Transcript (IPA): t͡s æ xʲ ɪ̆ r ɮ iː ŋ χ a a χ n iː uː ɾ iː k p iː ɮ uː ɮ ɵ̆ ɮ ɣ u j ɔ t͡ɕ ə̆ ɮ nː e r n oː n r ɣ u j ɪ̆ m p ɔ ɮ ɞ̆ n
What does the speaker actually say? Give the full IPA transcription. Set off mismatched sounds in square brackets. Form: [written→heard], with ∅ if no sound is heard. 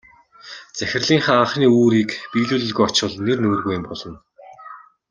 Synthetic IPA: t͡s æ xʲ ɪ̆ r ɮ iː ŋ χ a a χ n iː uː ɾ iː k p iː ɮ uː ɮ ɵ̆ ɮ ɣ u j ɔ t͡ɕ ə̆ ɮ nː e r n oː [n→∅] r ɣ u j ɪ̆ m p ɔ ɮ ɞ̆ n